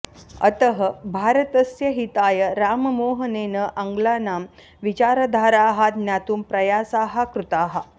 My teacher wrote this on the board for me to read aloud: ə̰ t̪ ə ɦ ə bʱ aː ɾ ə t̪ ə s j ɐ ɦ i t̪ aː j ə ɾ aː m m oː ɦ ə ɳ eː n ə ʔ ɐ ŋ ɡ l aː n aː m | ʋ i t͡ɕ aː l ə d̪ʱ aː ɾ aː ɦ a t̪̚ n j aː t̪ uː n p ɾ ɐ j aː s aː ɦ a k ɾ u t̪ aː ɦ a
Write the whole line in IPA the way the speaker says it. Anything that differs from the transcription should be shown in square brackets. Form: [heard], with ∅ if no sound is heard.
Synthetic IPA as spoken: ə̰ t̪ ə ɦ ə bʱ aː ɾ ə t̪ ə s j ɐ ɦ i t̪ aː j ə ɾ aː m m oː ɦ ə [n] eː n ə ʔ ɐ ŋ ɡ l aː n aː m | ʋ i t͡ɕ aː [ɾ] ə d̪ʱ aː ɾ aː ɦ a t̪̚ n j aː t̪ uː [m] p ɾ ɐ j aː s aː ɦ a k ɾ u t̪ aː ɦ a

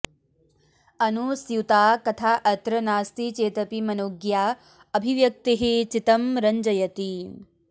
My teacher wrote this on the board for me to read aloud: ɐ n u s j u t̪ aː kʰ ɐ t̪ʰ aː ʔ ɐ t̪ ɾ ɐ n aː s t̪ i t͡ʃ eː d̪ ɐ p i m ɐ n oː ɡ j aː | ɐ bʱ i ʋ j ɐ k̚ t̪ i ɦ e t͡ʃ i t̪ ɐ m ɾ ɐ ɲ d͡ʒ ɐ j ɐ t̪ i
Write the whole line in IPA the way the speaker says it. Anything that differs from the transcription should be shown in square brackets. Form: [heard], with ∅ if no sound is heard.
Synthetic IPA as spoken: ɐ n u s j u t̪ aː [k] ɐ t̪ʰ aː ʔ ɐ t̪ ɾ ɐ n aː s t̪ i t͡ʃ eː [t̪] ɐ p i m ɐ n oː ɡ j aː | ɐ bʱ i ʋ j ɐ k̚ t̪ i ɦ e t͡ʃ i t̪ ɐ m ɾ ɐ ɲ d͡ʒ ɐ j ɐ t̪ i

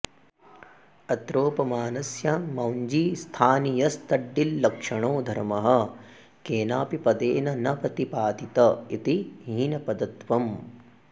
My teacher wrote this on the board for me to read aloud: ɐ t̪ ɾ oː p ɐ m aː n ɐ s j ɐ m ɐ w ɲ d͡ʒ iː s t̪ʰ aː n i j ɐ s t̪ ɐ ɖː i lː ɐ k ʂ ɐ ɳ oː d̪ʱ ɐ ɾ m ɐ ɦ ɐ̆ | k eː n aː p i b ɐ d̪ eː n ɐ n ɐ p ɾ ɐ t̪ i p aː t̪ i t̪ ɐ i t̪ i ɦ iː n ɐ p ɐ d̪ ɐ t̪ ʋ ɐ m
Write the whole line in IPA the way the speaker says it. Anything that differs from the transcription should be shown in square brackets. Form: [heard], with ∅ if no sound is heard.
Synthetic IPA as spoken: ɐ t̪ ɾ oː p ɐ m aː n ɐ s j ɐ m ɐ w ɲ d͡ʒ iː s t̪ʰ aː n i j ɐ s t̪ ɐ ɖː i lː ɐ k ʂ ɐ ɳ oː d̪ʱ ɐ ɾ m ɐ ɦ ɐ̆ | k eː n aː p i [p] ɐ d̪ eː n ɐ n ɐ p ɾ ɐ t̪ i p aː t̪ i t̪ ɐ i t̪ i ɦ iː n ɐ p ɐ d̪ ɐ t̪ ʋ ɐ m

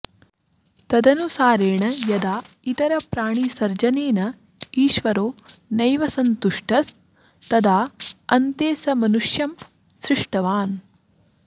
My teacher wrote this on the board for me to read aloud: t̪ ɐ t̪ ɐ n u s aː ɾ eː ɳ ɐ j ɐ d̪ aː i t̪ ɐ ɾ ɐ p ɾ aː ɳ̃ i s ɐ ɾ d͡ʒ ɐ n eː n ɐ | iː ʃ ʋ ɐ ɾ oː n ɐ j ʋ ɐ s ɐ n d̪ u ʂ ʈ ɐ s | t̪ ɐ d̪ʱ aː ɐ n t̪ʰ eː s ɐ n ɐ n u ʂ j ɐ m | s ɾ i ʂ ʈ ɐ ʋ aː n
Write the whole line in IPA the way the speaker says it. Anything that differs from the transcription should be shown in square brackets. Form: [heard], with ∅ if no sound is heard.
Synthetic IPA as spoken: t̪ ɐ [d̪] ɐ n u s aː ɾ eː ɳ ɐ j ɐ d̪ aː i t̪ ɐ ɾ ɐ p ɾ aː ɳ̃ i s ɐ ɾ d͡ʒ ɐ n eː n ɐ | iː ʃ ʋ ɐ ɾ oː n ɐ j ʋ ɐ s ɐ n [t̪] u ʂ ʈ ɐ s | t̪ ɐ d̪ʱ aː ɐ n [t̪] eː s ɐ [m] ɐ n u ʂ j ɐ m | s ɾ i ʂ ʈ ɐ ʋ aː n

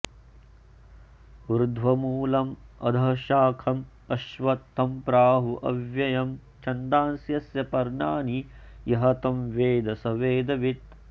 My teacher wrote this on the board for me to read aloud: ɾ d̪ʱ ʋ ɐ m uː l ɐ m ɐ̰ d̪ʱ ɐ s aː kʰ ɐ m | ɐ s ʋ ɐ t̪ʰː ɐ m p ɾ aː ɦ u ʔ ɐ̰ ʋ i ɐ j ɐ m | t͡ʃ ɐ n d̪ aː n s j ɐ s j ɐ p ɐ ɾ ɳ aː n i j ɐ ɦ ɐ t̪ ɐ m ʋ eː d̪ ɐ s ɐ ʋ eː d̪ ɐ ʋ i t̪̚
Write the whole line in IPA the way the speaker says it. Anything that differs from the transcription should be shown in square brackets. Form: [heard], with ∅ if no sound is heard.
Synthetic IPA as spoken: ɾ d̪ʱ ʋ ɐ m uː l ɐ m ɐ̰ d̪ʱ ɐ [ʃ] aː kʰ ɐ m | ɐ [ʃ] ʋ ɐ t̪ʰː ɐ m p ɾ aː ɦ u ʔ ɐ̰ ʋ [j] ɐ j ɐ m | t͡ʃ ɐ n d̪ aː n s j ɐ s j ɐ p ɐ ɾ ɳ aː n i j ɐ ɦ ɐ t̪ ɐ m ʋ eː d̪ ɐ s ɐ ʋ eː d̪ ɐ ʋ i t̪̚

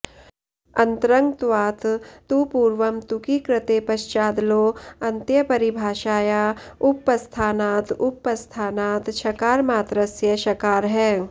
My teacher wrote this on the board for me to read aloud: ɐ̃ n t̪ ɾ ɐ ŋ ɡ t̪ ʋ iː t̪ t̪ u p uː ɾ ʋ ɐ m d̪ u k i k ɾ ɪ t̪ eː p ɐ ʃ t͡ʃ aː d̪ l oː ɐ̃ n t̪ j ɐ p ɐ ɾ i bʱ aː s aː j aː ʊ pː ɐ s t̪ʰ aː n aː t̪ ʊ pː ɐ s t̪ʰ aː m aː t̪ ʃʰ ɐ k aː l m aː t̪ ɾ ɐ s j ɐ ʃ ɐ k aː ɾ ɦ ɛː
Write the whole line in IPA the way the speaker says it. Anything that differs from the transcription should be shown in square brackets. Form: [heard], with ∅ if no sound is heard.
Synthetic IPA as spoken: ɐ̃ n t̪ ɾ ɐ ŋ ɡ t̪ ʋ [aː] t̪ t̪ u p uː ɾ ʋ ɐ m [t̪] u k i k ɾ ɪ t̪ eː p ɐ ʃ t͡ʃ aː d̪ l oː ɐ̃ n t̪ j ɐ p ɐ ɾ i bʱ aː [ʃ] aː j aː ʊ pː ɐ s t̪ʰ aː n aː t̪ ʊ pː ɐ s t̪ʰ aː [n] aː t̪ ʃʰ ɐ k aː [ɾ] m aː t̪ ɾ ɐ s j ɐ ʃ ɐ k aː ɾ ɦ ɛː

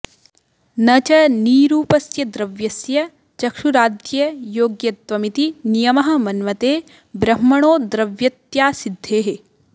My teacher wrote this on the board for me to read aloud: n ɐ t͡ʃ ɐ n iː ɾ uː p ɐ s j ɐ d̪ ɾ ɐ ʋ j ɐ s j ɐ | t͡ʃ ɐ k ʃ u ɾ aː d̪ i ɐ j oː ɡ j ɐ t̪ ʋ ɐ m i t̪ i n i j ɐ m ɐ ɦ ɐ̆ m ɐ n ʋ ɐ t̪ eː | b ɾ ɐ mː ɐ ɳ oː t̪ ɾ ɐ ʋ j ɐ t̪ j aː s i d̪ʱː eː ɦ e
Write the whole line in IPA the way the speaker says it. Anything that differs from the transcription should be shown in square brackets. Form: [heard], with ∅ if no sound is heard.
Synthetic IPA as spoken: n ɐ t͡ʃ ɐ n iː ɾ uː p ɐ s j ɐ d̪ ɾ ɐ ʋ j ɐ s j ɐ | t͡ʃ ɐ k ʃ u ɾ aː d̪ [j] ɐ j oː ɡ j ɐ t̪ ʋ ɐ m i t̪ i n i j ɐ m ɐ ɦ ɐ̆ m ɐ n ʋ ɐ t̪ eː | b ɾ ɐ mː ɐ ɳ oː [d̪] ɾ ɐ ʋ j ɐ t̪ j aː s i d̪ʱː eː ɦ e

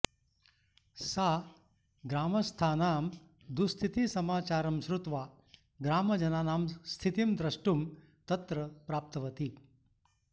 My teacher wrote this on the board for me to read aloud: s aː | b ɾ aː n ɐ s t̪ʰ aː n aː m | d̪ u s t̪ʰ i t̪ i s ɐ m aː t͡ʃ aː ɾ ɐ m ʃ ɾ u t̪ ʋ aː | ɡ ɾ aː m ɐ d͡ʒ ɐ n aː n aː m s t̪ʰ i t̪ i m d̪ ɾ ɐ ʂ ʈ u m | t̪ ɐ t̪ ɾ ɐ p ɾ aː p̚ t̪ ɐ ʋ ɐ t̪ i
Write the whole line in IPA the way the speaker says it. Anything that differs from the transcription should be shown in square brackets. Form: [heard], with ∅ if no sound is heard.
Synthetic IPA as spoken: s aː | [ɡ] ɾ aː [m] ɐ s t̪ʰ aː n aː m | d̪ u s t̪ʰ i t̪ i s ɐ m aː t͡ʃ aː ɾ ɐ m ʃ ɾ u t̪ ʋ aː | ɡ ɾ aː m ɐ d͡ʒ ɐ n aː n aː m s t̪ʰ i t̪ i m d̪ ɾ ɐ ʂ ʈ u m | t̪ ɐ t̪ ɾ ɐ p ɾ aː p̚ t̪ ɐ ʋ ɐ t̪ i

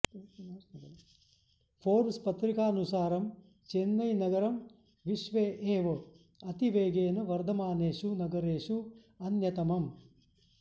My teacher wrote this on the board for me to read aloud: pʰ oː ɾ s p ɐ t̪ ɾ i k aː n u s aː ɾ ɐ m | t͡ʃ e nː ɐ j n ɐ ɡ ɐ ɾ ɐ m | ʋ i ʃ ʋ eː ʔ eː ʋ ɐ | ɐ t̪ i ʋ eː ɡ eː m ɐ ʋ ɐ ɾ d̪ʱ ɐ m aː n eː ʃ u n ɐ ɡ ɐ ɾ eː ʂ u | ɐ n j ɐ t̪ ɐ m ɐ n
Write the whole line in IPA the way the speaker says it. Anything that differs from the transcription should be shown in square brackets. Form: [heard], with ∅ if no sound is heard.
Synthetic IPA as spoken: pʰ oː ɾ s p ɐ t̪ ɾ i k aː n u s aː ɾ ɐ m | t͡ʃ e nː ɐ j n ɐ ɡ ɐ ɾ ɐ m | ʋ i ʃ ʋ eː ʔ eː ʋ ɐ | ɐ t̪ i ʋ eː ɡ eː [n] ɐ ʋ ɐ ɾ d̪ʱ ɐ m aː n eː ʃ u n ɐ ɡ ɐ ɾ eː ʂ u | ɐ n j ɐ t̪ ɐ m ɐ [m]

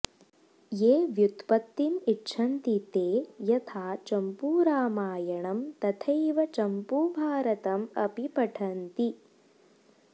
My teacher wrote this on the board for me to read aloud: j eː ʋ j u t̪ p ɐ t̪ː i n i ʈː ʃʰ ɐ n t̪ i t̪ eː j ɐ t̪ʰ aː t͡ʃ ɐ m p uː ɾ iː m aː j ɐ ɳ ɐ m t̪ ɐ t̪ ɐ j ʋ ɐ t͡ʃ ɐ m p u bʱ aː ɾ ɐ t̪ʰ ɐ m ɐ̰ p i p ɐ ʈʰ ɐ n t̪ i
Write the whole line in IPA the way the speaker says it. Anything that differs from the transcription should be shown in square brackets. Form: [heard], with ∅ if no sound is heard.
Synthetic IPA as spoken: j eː ʋ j u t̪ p ɐ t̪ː i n i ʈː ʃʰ ɐ n t̪ i t̪ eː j ɐ t̪ʰ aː t͡ʃ ɐ m p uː ɾ [aː] m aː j ɐ ɳ ɐ m t̪ ɐ [t̪ʰ] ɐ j ʋ ɐ t͡ʃ ɐ m p u bʱ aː ɾ ɐ [t̪] ɐ m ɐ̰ p i p ɐ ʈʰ ɐ n t̪ i

